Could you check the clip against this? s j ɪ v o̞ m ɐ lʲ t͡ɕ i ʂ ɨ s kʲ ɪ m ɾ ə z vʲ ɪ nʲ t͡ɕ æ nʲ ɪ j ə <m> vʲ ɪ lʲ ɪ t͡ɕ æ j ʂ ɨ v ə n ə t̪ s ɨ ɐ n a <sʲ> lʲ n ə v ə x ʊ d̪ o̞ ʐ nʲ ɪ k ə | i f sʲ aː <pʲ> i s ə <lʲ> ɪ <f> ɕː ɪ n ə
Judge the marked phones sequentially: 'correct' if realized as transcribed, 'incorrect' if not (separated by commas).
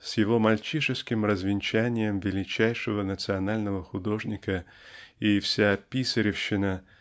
correct, incorrect, correct, incorrect, correct